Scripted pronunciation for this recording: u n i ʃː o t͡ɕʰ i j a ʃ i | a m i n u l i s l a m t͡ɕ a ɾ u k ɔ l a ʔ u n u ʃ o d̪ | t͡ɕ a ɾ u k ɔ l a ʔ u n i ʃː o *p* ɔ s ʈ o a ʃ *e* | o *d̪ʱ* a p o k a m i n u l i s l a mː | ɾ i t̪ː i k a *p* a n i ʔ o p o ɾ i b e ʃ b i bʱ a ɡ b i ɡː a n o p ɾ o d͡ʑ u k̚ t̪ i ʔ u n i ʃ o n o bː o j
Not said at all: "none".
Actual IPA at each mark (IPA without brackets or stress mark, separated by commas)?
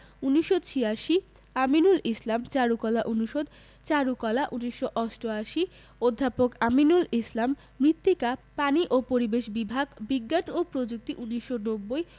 ʔ, i, d̪ʱː, p